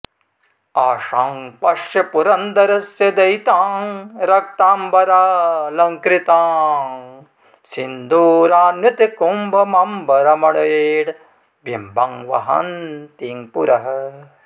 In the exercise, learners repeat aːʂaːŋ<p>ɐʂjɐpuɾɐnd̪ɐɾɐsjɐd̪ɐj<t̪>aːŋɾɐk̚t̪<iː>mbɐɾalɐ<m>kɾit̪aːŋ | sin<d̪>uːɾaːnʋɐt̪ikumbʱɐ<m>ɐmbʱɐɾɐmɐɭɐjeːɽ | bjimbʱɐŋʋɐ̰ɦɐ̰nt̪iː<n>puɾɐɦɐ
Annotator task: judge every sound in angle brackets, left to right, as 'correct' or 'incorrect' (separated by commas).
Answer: correct, correct, incorrect, incorrect, correct, correct, incorrect